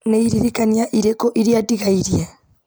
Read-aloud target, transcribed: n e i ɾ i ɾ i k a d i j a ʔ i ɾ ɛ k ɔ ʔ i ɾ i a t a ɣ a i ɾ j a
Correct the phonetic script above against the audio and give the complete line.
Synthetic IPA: n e i ɾ i ɾ i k a n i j a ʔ i ɾ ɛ k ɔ ʔ i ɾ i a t i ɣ a i ɾ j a